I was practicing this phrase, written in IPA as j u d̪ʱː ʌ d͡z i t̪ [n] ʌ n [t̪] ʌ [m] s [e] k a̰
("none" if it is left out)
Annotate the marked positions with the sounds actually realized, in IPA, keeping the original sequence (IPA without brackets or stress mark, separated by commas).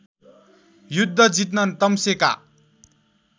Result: n, t̪, m, e